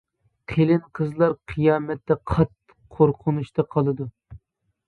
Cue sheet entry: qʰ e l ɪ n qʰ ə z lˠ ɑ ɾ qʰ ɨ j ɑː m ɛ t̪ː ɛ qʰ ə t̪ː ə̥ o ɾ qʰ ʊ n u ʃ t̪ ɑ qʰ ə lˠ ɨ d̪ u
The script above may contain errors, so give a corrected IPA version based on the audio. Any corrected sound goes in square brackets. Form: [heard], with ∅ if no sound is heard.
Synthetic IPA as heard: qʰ e l ɪ n qʰ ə z lˠ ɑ ɾ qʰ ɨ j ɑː m ɛ t̪ː ɛ qʰ [ɑ] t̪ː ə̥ o ɾ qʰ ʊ n u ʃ t̪ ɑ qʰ [ɑ] lˠ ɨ d̪ u